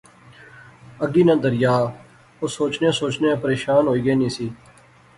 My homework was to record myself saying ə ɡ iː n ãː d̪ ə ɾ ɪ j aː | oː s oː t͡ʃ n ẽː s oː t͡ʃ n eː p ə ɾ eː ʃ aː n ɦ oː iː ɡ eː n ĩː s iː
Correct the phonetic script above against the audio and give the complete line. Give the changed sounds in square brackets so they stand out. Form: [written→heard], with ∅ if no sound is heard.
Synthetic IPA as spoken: ə ɡ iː n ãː d̪ ə ɾ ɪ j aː | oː s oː t͡ʃ n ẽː s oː t͡ʃ n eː p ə ɾ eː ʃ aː n ɦ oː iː ɡ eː n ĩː s iː